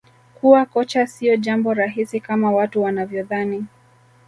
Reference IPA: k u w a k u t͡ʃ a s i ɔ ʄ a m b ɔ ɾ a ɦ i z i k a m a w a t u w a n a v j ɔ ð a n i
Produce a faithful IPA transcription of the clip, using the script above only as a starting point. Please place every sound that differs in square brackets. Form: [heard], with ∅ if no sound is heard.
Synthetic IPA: k u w a k [ɔ] t͡ʃ a s i ɔ ʄ a m b ɔ ɾ a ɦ i [s] i k a m a w a t u w a n a v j ɔ ð a n i